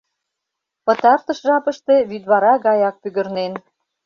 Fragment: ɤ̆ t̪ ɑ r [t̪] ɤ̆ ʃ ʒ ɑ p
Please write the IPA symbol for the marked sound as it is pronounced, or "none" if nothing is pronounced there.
t̪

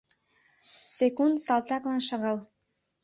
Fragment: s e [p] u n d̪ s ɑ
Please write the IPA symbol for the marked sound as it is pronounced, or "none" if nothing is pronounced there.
k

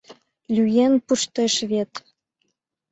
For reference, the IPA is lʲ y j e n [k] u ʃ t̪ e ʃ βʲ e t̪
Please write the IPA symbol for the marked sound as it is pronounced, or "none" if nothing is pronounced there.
p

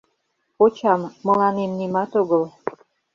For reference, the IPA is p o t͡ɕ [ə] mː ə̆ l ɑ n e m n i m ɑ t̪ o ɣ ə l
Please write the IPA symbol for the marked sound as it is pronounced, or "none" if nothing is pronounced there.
ɑ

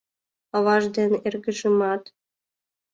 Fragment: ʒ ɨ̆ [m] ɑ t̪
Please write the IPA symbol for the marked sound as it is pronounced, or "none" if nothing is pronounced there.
m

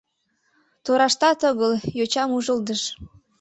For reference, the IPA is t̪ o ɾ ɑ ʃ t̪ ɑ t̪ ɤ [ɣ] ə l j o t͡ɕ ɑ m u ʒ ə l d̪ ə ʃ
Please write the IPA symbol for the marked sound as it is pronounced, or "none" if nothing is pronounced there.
ɣ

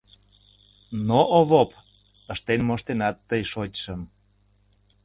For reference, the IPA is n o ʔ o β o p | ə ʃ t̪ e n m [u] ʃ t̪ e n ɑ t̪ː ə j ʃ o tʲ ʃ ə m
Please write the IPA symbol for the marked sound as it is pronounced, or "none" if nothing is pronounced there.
o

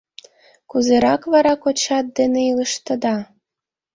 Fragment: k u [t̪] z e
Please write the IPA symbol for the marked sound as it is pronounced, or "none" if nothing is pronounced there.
none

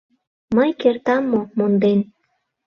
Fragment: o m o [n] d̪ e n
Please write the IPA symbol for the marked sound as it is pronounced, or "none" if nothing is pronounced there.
n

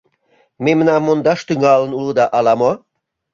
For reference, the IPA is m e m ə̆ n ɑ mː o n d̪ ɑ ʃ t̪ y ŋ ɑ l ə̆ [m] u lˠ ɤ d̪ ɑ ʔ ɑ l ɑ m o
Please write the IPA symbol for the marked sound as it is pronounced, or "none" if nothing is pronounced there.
n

